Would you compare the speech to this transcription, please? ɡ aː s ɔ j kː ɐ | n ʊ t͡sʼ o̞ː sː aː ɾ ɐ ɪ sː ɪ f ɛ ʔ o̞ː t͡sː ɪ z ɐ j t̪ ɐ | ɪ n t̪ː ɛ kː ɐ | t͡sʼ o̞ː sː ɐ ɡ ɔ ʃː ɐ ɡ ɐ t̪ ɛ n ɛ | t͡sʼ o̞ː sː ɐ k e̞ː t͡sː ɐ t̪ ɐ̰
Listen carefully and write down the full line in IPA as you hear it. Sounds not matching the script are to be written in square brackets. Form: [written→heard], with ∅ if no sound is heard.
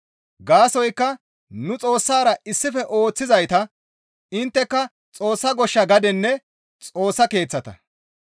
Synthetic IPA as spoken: ɡ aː s ɔ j kː ɐ | n ʊ t͡sʼ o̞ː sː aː ɾ ɐ ɪ sː ɪ f ɛ ʔ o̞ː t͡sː ɪ z ɐ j t̪ ɐ | ɪ n t̪ː ɛ kː ɐ | t͡sʼ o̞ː sː ɐ ɡ ɔ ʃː ɐ ɡ ɐ [t̪→d̪] ɛ [n→nː] ɛ | t͡sʼ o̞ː sː ɐ k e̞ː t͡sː ɐ t̪ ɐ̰